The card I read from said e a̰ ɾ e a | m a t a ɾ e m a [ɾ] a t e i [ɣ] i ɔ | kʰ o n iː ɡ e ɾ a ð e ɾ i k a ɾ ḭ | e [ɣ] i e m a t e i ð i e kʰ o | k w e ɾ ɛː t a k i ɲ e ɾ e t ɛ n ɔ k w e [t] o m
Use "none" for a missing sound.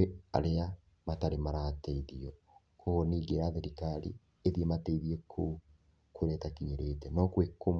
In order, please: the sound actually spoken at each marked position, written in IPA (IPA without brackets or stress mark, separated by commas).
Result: ɾ, ð, ð, k